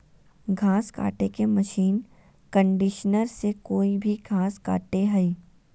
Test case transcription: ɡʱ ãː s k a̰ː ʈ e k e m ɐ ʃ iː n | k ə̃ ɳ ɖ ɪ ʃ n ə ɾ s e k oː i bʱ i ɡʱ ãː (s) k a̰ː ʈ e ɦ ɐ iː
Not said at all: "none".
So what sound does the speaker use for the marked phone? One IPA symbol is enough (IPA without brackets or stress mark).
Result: s